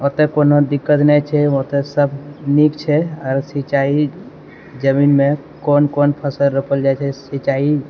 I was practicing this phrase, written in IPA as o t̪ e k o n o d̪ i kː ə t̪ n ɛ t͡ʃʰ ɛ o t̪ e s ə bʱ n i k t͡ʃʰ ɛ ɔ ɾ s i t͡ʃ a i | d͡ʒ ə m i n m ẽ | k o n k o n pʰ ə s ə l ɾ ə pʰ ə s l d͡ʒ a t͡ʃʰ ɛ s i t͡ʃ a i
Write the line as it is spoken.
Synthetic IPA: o t̪ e k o n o d̪ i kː ə t̪ n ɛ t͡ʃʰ ɛ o t̪ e s ə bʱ n i k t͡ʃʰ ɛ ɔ ɾ s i t͡ʃ a i | d͡ʒ ə m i n m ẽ | k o n k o n pʰ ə s ə l ɾ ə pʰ ə l d͡ʒ a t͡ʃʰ ɛ s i t͡ʃ a i